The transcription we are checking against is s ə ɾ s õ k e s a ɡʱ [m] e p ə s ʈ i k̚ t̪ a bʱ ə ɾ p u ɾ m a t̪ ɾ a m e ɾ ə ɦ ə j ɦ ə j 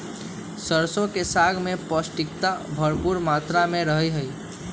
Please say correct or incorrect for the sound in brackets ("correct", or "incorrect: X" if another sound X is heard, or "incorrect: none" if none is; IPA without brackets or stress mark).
correct